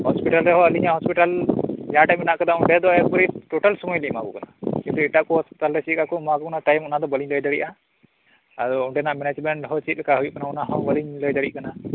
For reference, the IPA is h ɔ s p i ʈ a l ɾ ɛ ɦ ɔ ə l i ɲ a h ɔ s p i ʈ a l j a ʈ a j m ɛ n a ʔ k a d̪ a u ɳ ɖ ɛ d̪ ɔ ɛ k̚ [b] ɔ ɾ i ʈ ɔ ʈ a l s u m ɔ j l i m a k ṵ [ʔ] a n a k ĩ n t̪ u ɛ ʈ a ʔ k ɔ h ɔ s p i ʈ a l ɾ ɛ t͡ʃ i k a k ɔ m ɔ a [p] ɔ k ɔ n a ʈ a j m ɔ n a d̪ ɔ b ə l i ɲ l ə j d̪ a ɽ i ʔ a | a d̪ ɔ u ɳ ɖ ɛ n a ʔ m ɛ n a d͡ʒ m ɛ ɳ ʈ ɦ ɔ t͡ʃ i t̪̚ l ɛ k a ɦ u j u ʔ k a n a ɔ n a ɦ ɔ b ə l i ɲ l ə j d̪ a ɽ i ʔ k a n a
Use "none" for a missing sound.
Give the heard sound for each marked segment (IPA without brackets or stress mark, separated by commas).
b, k, k